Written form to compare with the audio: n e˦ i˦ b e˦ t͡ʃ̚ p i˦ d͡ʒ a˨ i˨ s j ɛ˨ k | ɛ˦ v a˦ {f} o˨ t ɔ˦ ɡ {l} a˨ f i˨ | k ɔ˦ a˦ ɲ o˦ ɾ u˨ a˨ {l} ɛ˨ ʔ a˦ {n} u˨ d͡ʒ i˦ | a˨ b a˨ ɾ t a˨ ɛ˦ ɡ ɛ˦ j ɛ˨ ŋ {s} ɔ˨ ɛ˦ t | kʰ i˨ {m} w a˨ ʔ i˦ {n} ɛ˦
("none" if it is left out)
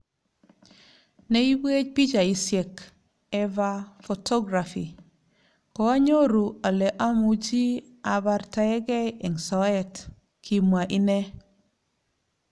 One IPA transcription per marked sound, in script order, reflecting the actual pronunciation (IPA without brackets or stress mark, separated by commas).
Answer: f, ɾ, l, m, s, m, n